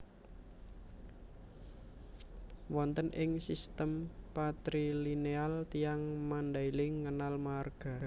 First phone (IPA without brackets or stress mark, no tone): w